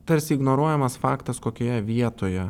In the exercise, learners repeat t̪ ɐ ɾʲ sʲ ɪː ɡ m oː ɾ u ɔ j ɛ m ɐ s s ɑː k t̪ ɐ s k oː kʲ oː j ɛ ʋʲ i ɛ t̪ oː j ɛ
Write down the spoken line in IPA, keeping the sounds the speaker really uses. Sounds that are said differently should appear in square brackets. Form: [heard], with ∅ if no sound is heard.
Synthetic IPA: t̪ ɐ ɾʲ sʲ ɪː ɡ [n] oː ɾ u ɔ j ɛ m ɐ s [f] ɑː k t̪ ɐ s k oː kʲ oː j ɛ ʋʲ i ɛ t̪ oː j ɛ